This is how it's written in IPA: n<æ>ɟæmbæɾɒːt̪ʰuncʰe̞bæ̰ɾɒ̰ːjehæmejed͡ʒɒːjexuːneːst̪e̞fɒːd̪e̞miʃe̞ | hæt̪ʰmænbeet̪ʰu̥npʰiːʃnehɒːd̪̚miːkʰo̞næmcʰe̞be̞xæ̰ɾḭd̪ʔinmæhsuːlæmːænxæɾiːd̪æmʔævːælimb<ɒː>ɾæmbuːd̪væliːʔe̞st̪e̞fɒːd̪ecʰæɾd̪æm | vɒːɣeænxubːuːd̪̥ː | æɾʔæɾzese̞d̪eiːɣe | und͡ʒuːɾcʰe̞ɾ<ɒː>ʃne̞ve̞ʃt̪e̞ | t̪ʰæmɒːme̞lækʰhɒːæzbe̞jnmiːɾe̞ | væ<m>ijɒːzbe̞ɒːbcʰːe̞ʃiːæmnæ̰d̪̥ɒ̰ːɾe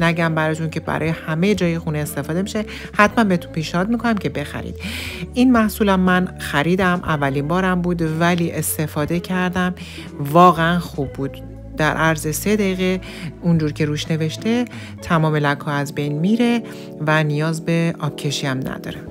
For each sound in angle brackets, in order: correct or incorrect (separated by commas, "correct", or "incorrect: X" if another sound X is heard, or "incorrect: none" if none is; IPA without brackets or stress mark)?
correct, correct, incorrect: uː, incorrect: n